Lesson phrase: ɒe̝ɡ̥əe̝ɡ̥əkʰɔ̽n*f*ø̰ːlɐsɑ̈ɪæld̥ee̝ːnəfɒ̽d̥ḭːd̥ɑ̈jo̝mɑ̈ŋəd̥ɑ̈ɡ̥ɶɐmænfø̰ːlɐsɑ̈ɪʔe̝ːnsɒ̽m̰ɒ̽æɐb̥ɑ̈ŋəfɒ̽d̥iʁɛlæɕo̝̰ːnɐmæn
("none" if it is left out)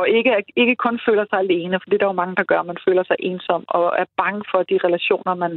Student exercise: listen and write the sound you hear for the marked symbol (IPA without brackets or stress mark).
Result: f